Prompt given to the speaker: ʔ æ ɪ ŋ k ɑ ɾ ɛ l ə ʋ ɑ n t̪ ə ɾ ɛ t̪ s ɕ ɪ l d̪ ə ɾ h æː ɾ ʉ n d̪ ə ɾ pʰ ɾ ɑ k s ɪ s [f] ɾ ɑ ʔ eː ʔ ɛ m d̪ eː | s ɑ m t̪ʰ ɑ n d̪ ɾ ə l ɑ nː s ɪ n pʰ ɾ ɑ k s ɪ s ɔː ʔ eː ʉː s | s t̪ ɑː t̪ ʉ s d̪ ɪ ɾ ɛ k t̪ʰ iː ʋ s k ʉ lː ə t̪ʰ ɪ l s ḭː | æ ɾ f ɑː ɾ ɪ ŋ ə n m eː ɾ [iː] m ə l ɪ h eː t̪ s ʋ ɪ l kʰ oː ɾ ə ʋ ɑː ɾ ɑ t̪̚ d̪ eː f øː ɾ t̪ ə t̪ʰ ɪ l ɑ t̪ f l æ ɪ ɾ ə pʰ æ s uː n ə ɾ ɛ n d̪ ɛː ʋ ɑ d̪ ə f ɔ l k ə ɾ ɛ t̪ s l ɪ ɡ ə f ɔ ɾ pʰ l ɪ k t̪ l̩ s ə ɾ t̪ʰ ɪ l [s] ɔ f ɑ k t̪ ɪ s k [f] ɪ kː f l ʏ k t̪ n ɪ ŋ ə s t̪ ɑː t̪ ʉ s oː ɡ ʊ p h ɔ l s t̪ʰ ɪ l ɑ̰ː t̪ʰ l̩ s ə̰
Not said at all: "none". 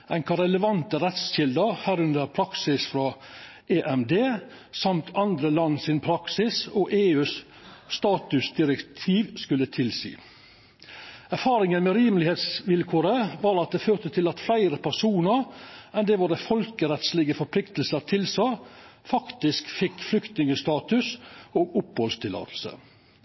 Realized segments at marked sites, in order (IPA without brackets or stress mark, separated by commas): f, iː, s, f